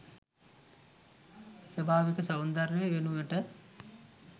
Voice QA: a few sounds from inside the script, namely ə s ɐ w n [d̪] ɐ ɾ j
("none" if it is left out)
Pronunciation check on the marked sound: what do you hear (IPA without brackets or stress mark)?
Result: d̪